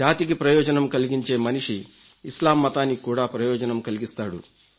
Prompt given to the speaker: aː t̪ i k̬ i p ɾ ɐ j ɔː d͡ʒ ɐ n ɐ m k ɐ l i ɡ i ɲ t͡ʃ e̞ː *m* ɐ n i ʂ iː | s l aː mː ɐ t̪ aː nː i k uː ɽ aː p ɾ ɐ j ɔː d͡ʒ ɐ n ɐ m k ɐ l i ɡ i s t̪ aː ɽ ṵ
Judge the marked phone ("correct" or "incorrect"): correct